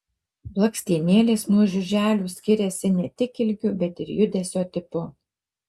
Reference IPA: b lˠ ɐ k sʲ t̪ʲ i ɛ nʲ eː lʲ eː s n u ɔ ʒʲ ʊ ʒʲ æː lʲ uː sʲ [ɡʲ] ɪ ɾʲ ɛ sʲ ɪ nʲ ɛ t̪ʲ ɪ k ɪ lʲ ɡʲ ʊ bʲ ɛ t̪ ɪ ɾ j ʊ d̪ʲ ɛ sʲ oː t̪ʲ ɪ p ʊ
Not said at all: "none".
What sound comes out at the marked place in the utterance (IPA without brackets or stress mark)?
kʲ